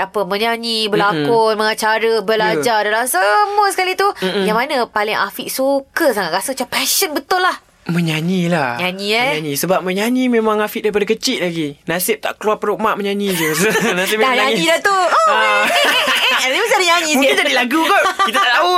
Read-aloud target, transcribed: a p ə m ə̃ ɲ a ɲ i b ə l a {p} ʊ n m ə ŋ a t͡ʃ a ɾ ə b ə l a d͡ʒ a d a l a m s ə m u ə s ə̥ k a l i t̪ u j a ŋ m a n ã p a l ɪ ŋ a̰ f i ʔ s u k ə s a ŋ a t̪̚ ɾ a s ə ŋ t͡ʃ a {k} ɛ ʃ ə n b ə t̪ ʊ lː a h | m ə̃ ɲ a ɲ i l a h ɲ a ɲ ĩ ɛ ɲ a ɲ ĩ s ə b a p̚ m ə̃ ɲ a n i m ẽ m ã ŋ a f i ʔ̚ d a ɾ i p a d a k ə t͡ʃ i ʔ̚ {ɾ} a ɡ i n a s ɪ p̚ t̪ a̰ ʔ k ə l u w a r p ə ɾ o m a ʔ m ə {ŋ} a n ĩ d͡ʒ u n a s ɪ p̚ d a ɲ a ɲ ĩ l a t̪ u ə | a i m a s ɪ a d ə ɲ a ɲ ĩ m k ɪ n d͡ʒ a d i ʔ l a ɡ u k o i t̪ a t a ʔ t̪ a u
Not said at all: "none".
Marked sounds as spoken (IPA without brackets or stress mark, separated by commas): k, p, l, ɲ